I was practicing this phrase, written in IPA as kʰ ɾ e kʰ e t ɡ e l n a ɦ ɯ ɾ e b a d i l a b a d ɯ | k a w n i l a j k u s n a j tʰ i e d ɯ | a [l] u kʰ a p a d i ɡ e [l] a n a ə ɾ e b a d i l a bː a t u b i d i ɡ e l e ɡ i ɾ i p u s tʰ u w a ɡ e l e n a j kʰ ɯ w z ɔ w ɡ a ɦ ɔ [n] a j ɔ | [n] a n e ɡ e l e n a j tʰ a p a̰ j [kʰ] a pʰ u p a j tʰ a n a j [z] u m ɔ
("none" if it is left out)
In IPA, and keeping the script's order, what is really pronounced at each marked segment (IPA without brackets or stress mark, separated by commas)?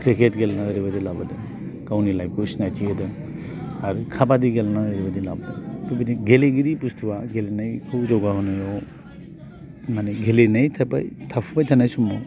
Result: ɾ, l, n, m, tʰ, s